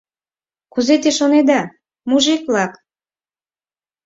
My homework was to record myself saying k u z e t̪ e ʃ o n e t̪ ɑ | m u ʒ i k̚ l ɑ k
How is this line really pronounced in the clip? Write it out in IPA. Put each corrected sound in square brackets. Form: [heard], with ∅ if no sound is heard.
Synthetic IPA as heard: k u z e t̪ e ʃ o n e [d̪] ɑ | m u ʒ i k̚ l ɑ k